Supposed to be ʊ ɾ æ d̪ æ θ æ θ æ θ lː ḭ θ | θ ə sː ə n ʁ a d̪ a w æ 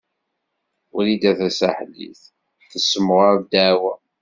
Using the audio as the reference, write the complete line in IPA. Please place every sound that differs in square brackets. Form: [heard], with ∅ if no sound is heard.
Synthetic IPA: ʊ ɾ [i] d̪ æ θ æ [s] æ [ħ] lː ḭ θ | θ ə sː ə [m] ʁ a d̪ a w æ

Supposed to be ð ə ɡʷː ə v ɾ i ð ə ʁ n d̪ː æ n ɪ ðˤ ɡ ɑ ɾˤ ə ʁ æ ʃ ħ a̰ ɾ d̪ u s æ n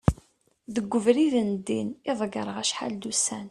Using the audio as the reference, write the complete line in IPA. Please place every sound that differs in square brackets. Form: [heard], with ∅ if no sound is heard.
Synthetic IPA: ð ə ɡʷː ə v ɾ i ð ə [∅] n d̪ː [i] n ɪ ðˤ ɡ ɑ ɾˤ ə ʁ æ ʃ ħ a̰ [l] d̪ u s æ n

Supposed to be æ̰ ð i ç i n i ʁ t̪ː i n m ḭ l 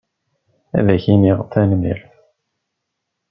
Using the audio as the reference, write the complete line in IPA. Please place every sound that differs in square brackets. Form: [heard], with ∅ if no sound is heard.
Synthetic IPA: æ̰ ð [æ] ç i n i ʁ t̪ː [æ] n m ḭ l

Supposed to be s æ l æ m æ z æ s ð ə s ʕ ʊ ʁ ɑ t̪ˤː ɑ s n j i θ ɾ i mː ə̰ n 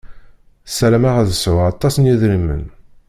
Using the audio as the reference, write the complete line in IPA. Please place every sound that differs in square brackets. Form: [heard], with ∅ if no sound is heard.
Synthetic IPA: s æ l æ m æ [ʁ] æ [∅] ð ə s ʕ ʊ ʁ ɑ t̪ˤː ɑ s n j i [ð] ɾ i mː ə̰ n

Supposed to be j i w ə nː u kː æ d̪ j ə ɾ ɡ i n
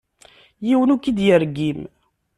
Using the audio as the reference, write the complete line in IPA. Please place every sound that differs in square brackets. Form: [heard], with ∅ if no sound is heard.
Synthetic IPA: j i w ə [n] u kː [i] d̪ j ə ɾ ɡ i [m]

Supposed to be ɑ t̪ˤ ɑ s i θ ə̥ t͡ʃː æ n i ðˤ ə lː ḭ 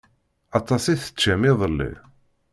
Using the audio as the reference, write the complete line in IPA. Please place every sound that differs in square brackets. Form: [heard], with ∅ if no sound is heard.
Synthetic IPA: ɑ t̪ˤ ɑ s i θ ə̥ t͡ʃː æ [m] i ðˤ ə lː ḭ

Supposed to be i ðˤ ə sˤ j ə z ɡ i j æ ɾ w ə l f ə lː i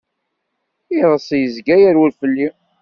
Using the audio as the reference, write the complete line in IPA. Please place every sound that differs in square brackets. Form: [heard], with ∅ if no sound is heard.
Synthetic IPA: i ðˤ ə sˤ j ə z ɡ [æ] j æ ɾ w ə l f ə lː i

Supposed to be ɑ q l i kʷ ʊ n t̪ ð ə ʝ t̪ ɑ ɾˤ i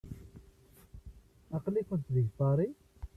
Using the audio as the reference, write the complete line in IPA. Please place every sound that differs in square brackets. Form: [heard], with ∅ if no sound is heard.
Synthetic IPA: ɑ q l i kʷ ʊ n t̪ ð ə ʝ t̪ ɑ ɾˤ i

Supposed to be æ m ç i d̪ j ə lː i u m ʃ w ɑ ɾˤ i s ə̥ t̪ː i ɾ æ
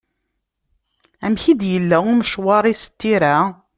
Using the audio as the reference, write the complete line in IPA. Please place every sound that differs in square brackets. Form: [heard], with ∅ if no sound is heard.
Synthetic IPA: æ m ç i d̪ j ə lː [æ] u m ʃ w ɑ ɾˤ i s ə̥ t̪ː i ɾ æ

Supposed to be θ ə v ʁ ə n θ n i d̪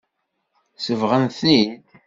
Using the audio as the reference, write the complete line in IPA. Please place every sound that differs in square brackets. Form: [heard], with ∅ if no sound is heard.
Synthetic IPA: [s] ə v ʁ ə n θ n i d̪

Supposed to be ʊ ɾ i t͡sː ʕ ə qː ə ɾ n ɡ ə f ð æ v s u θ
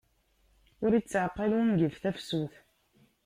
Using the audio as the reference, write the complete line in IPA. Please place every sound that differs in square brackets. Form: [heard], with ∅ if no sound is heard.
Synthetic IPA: ʊ ɾ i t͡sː ʕ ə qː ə [l] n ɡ ə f [θ] æ [f] s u θ

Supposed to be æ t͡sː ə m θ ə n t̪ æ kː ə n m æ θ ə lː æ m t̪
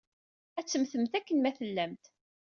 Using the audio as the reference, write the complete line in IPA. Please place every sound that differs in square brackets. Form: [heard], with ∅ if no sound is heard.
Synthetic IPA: æ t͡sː ə m θ ə [m] t̪ æ kː ə n m æ θ ə lː æ m t̪

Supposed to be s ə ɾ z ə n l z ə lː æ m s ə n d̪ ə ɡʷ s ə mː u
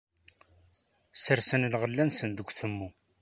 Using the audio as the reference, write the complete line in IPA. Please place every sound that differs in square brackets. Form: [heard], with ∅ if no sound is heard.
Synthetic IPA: s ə ɾ [s] ə n l [ʁ] ə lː æ [n] s ə n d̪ ə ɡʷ [θ] ə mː u

